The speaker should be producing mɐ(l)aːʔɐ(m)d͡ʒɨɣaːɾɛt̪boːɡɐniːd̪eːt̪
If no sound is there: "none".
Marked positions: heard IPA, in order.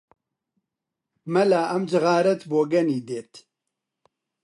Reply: l, m

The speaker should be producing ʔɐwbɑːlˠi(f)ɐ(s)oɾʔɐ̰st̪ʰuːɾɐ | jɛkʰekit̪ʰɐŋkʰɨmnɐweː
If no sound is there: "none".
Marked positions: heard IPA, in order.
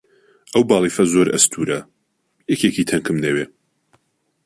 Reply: f, z

